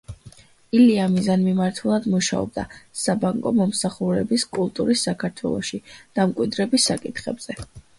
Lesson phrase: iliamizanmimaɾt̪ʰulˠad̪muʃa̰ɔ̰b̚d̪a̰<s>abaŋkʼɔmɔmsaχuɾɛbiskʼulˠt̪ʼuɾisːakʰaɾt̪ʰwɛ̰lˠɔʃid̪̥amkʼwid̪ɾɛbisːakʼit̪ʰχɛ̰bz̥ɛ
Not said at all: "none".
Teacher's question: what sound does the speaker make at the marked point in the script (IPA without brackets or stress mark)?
s